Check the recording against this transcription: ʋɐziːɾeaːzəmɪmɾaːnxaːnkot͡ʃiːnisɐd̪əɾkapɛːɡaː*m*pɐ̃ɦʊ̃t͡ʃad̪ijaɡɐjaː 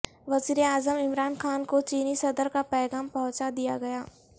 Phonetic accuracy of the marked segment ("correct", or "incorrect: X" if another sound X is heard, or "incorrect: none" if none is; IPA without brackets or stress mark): correct